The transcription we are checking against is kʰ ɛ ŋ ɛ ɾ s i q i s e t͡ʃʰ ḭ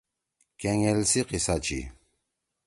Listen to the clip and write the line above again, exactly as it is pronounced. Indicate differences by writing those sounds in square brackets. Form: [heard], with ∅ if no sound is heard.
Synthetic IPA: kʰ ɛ ŋ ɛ [l] s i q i s [a] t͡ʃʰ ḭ